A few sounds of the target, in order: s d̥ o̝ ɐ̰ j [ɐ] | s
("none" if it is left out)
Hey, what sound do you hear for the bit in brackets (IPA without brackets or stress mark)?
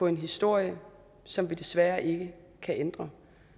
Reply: ə